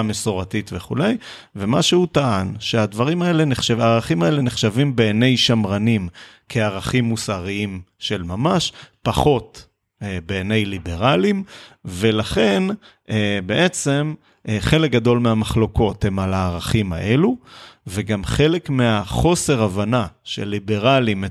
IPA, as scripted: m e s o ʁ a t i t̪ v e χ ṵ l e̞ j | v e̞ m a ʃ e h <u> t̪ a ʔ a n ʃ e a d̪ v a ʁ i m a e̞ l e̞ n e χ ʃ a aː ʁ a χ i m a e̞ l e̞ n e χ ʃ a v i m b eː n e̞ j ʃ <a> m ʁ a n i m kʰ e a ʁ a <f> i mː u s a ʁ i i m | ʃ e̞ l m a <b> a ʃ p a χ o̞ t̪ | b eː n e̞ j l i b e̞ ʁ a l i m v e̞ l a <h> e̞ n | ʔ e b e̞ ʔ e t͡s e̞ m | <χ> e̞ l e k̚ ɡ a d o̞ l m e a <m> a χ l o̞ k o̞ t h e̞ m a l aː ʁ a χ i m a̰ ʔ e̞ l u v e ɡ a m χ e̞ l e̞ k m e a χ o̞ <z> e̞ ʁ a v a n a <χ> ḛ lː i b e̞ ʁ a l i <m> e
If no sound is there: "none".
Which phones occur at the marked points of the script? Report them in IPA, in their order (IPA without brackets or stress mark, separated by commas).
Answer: u, a, χ, m, χ, χ, m, s, ʃ, m